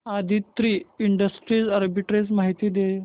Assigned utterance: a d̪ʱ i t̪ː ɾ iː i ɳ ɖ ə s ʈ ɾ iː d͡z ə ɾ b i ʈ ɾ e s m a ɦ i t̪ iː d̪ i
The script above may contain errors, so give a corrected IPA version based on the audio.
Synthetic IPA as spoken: a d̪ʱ i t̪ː ɾ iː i ɳ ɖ ə s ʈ ɾ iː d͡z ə ɾ b i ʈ ɾ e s m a ɦ i t̪ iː d̪ e